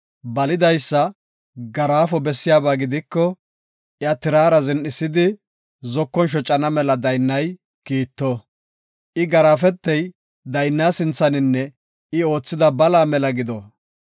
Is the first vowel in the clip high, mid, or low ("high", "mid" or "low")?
low